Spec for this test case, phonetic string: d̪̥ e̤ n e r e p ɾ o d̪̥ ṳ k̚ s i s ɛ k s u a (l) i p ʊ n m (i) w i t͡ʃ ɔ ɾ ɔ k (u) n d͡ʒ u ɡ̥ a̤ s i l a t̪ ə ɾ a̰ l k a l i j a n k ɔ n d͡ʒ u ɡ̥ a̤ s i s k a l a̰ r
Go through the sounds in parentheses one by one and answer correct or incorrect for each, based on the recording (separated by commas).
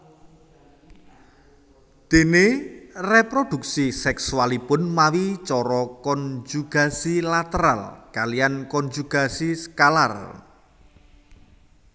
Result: correct, incorrect, incorrect